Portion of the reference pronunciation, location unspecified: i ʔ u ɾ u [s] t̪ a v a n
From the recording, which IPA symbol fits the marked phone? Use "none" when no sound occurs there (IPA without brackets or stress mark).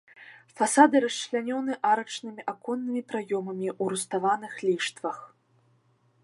s